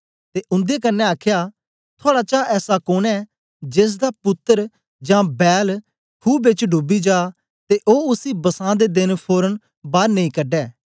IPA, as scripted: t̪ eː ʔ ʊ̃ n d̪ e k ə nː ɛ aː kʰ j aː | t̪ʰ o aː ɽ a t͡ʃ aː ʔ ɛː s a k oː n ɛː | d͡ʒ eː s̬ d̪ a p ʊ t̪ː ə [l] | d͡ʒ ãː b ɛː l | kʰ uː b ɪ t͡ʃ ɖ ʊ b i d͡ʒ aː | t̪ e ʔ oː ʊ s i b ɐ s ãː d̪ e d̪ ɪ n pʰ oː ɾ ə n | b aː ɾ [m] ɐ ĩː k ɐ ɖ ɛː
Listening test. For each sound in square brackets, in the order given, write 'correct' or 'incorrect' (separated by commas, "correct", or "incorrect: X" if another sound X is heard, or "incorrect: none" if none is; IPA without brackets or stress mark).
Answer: incorrect: ɾ, incorrect: n